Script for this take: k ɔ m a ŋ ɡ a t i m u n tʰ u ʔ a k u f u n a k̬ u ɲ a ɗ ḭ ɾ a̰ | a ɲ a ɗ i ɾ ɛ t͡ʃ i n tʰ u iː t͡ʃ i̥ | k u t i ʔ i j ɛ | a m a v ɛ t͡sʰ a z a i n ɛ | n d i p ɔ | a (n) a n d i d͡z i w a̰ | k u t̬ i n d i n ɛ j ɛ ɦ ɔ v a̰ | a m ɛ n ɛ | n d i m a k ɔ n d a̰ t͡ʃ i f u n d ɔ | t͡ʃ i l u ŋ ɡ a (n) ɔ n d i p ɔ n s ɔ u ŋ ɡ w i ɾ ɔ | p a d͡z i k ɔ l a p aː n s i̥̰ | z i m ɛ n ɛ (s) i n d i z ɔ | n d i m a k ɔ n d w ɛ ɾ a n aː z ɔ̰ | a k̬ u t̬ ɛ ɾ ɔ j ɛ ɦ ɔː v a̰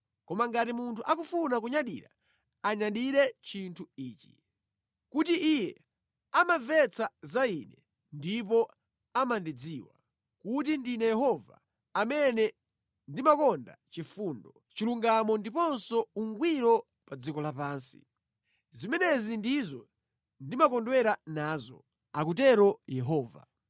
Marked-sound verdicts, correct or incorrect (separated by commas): incorrect, incorrect, incorrect